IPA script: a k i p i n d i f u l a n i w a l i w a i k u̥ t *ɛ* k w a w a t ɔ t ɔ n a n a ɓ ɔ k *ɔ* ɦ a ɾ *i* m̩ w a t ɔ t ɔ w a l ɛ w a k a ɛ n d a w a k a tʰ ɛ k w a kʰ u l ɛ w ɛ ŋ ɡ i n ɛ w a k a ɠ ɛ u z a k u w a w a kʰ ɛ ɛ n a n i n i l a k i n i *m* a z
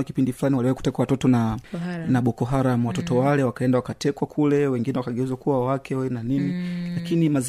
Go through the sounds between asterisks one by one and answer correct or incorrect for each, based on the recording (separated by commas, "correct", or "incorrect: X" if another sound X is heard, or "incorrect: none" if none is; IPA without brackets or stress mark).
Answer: correct, correct, incorrect: a, correct